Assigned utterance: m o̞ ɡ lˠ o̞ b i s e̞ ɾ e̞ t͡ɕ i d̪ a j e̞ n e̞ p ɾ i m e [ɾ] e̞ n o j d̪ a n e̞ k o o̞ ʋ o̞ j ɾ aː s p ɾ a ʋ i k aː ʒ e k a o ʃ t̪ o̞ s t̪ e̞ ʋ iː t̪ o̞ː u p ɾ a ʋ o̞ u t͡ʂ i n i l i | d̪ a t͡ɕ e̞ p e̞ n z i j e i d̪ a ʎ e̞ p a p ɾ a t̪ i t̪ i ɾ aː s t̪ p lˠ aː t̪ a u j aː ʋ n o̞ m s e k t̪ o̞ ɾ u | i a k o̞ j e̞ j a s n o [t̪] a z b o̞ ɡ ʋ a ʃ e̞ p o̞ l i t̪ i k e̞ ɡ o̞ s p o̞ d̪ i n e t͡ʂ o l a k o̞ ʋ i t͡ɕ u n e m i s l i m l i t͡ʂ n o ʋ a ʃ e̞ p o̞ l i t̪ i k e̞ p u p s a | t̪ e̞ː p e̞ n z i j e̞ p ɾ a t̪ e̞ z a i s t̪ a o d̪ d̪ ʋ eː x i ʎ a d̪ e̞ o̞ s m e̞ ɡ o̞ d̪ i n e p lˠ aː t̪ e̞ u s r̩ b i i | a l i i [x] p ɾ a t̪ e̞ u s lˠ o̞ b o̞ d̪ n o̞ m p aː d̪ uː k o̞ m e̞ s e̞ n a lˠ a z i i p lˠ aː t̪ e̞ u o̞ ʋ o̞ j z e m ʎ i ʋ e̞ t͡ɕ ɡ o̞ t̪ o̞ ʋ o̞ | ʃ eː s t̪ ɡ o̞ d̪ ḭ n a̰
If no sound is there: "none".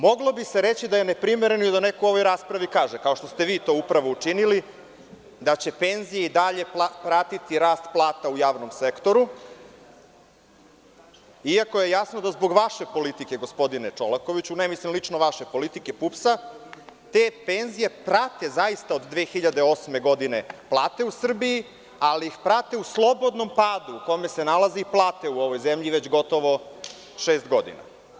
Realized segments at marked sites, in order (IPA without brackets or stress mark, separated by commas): ɾ, d̪, x